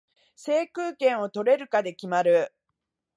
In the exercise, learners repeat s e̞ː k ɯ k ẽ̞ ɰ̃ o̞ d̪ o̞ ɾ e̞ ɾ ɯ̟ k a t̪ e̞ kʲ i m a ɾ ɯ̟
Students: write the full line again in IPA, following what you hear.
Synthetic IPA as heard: s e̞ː k ɯː k ẽ̞ ɰ̃ o̞ t̪ o̞ ɾ e̞ ɾ ɯ̟ k a d̪ e̞ kʲ i m a ɾ ɯ̟